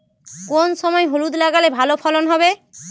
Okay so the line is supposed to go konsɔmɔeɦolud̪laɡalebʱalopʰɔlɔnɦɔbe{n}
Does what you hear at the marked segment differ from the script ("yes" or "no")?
yes